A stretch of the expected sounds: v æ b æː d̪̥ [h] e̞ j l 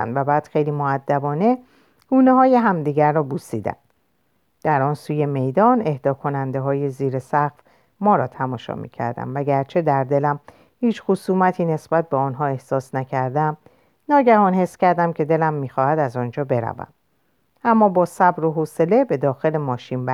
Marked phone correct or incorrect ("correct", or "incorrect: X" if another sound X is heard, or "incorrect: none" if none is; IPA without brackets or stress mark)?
incorrect: x